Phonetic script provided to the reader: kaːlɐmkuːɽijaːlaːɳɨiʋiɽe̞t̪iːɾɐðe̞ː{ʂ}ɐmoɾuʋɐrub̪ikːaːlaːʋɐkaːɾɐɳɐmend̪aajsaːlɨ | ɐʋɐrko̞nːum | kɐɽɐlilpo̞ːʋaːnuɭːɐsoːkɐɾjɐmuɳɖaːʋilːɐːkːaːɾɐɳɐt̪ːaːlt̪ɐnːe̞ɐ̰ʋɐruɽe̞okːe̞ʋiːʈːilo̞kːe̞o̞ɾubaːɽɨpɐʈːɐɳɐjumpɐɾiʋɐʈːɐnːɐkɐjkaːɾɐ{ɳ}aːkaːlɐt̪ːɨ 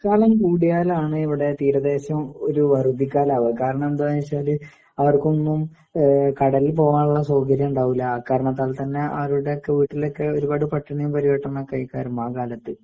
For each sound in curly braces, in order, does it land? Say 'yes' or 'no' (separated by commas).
no, no